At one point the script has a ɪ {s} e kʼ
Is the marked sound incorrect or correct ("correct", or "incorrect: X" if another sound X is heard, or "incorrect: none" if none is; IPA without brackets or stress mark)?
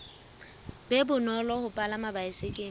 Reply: correct